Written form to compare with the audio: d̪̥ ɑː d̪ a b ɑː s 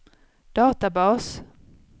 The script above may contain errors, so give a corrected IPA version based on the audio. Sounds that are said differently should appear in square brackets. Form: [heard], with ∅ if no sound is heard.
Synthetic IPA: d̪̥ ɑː [t̪] a b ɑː s